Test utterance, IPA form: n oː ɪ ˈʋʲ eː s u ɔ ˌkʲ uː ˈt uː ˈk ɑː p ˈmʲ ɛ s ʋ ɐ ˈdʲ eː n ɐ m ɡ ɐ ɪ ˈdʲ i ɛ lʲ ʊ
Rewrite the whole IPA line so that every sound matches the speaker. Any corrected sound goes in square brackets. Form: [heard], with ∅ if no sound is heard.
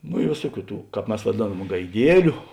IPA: n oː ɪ ˈʋʲ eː s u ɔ ˌkʲ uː ˈt uː ˈk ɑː p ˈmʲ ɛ s ʋ ɐ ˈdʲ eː n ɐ m ɡ ɐ ɪ ˈdʲ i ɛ lʲ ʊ